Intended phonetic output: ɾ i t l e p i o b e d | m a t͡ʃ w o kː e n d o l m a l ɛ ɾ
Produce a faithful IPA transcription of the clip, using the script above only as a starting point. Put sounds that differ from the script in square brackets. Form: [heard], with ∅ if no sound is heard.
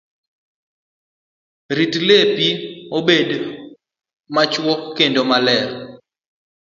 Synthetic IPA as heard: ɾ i t l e p i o b e d | m a t͡ʃ w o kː e n d o [∅] m a l ɛ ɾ

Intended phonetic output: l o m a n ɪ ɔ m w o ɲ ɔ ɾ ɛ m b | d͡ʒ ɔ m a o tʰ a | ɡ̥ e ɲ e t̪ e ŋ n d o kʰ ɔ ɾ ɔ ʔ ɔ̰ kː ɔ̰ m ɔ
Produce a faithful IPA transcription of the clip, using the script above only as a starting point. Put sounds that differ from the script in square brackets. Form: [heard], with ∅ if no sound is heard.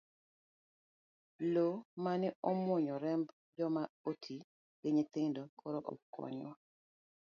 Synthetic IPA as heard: l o m a n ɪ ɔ m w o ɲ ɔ ɾ ɛ m b | d͡ʒ ɔ m a o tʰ [i] | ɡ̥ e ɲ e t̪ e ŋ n d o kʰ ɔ ɾ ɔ ʔ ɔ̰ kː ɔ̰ [ɲ] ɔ

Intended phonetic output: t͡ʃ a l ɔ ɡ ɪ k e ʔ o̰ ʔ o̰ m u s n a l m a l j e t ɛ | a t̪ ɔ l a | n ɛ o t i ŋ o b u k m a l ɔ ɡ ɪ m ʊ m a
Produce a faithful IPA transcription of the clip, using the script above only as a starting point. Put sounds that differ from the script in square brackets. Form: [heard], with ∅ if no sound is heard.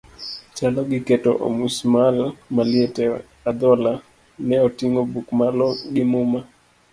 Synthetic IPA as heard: t͡ʃ a l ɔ ɡ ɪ k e [t] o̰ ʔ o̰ m u s [m] a l m a l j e t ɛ | a [d̪] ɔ l a | n ɛ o t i ŋ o b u k m a l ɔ ɡ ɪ m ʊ m a

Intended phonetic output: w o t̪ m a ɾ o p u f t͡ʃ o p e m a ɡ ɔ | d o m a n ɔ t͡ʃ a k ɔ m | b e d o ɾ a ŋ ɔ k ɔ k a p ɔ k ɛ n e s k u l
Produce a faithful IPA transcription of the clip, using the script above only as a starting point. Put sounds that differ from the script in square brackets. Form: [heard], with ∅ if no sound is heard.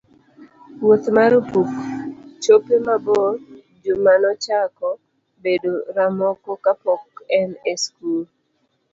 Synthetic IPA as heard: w o t̪ m a ɾ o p u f t͡ʃ o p e m a [b] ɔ | [d͡ʒ] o m a n ɔ t͡ʃ a k ɔ [∅] | b e d o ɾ a [m] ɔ k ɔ k a p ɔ k ɛ n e s k u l

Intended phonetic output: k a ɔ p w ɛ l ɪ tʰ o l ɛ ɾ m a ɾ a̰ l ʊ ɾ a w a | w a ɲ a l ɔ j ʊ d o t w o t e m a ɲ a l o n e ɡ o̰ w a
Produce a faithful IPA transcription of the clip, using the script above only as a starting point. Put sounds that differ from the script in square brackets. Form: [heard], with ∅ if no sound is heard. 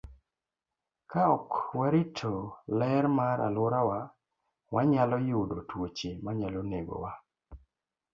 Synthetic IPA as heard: k a ɔ [k] w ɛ [ɾ] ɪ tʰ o l ɛ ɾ m a ɾ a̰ l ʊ ɾ a w a | w a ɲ a l ɔ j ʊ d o t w o [t͡ʃ] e m a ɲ a l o n e ɡ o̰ w a

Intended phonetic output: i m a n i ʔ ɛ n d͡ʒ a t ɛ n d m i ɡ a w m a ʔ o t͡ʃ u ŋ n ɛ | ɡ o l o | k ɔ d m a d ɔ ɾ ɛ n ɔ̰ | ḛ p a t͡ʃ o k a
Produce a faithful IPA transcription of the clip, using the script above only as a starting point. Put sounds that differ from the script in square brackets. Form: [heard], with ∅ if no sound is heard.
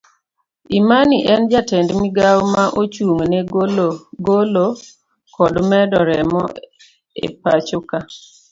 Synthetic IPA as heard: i m a n i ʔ ɛ n d͡ʒ a t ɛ n d m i ɡ a w m a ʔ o t͡ʃ u ŋ n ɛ | ɡ o l o | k ɔ d m [ɛ] d ɔ ɾ ɛ [m] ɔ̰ | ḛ p a t͡ʃ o k a

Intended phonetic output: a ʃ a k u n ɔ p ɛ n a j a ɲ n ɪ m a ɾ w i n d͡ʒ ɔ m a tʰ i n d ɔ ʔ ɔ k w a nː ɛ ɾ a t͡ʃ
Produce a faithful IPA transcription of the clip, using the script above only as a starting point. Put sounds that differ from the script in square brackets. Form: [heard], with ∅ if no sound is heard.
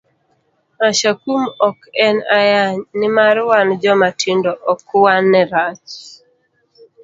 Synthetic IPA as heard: a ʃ a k u [m] ɔ [k] ɛ n a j a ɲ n ɪ m a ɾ w [a] n d͡ʒ ɔ m a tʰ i n d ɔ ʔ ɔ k w a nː ɛ ɾ a t͡ʃ

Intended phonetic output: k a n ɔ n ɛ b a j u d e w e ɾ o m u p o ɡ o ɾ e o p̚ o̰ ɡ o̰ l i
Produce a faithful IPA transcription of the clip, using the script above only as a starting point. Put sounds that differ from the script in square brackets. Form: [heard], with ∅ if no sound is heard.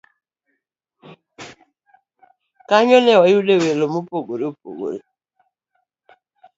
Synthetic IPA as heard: k a [ɲ] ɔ n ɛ [w] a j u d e w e [l] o m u p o ɡ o ɾ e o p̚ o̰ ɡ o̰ [ɾ] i

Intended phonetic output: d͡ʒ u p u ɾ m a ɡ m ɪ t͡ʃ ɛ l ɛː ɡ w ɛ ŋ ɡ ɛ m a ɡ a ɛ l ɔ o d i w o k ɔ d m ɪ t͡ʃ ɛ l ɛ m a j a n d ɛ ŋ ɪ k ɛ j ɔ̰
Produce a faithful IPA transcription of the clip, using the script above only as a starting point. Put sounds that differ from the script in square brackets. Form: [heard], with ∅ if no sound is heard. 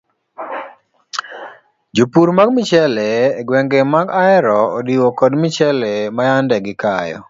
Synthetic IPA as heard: d͡ʒ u p u ɾ m a ɡ m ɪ t͡ʃ ɛ l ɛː ɡ w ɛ ŋ ɡ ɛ m a ɡ a ɛ [ɾ] ɔ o d i w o k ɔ d m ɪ t͡ʃ ɛ l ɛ m a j a n d ɛ [ɡ] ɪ k [a] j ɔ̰

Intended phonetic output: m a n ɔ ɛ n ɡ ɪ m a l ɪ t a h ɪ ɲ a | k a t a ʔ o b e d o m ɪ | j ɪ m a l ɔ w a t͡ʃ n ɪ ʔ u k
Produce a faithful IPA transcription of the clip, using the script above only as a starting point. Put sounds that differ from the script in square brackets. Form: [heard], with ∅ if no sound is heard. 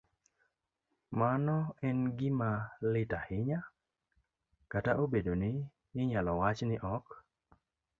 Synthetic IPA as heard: m a n ɔ ɛ n ɡ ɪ m a l ɪ t a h ɪ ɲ a | k a t a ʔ o b e d o [n] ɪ | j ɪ [ɲ] a l ɔ w a t͡ʃ n ɪ ʔ [ɔ] k

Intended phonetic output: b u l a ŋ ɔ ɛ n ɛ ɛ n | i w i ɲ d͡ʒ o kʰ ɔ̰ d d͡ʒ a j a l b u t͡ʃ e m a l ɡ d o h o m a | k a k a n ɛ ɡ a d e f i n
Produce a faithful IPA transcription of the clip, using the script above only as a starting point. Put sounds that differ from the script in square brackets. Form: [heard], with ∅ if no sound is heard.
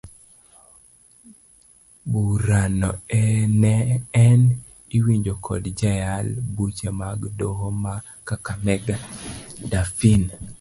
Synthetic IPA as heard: b u [ɾ] a [n] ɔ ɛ n ɛ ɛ n | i w i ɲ d͡ʒ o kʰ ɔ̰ d d͡ʒ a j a l b u t͡ʃ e m a [∅] ɡ d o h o m a | k a k a [m] ɛ ɡ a d [a] f i n

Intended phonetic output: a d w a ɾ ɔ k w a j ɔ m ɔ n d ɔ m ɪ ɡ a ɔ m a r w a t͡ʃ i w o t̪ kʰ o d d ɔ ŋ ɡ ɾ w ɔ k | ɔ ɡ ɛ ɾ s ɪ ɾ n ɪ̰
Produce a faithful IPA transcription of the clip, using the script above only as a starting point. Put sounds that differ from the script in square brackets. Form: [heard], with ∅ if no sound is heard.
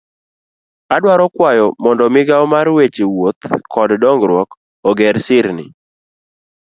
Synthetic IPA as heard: a d w a ɾ ɔ k w a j ɔ m ɔ n d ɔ m ɪ ɡ a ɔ m a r w [e] t͡ʃ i w o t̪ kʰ [ɔ] d d ɔ ŋ ɡ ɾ w ɔ k | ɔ ɡ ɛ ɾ s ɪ ɾ n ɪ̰

